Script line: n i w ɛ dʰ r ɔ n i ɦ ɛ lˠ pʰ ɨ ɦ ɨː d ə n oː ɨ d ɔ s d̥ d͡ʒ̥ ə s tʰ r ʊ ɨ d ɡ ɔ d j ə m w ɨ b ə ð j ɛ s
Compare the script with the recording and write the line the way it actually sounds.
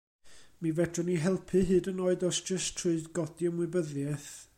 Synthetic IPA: m i v ɛ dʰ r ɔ n i ɦ ɛ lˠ pʰ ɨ ɦ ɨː d ə n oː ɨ d ɔ s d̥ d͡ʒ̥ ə s tʰ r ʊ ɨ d ɡ ɔ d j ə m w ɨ b ə ð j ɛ θ